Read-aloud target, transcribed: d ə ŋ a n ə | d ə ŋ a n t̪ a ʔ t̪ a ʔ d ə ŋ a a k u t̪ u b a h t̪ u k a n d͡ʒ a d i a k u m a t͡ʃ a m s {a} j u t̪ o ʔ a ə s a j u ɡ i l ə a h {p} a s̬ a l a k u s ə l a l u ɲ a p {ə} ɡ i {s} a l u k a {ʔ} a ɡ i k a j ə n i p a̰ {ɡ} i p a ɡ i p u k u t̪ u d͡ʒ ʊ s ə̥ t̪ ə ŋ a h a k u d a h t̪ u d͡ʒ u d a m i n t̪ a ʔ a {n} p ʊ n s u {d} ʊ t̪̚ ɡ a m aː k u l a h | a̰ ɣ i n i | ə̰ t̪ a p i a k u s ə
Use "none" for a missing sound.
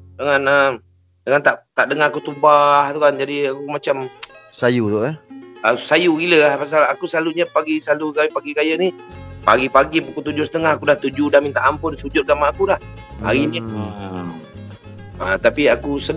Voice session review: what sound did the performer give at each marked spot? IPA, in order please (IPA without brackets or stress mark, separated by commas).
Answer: a, p, a, s, p, ɡ, m, d͡ʒ